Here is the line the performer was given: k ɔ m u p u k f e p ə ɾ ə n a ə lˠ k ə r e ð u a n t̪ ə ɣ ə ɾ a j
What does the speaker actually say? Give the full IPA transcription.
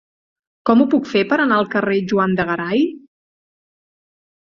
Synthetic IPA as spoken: k ɔ m u p u k f e p ə ɾ ə n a ə lˠ k ə r e ʒ u a n d̪ ə ɣ ə ɾ a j